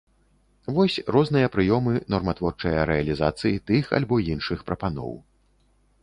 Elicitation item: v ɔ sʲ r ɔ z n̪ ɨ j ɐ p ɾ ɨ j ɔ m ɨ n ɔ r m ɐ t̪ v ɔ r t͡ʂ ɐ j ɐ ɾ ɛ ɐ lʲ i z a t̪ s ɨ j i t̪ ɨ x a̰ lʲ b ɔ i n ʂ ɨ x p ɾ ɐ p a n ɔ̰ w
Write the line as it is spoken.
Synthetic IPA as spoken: v ɔ sʲ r ɔ z n̪ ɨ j ɐ p ɾ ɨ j ɔ m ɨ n ɔ r m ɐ t̪ v ɔ r t͡ʂ ɐ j ɐ ɾ ɛ ɐ lʲ i z a t̪ s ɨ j i t̪ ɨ x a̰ lʲ b ɔ i n ʂ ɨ x p ɾ ɐ p a n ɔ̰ w